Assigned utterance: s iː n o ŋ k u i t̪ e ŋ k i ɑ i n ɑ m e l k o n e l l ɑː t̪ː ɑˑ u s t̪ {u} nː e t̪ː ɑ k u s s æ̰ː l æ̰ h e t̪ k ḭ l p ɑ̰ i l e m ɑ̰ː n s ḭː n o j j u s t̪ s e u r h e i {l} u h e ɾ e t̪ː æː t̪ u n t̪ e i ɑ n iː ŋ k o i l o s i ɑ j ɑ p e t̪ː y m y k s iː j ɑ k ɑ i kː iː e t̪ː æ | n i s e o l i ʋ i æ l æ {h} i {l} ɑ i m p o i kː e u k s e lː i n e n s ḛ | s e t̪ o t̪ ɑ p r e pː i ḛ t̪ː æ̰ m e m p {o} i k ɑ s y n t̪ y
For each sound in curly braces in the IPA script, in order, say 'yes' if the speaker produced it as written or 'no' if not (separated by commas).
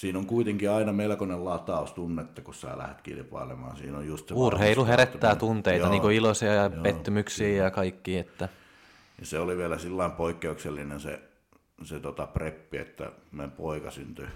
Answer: yes, yes, no, no, yes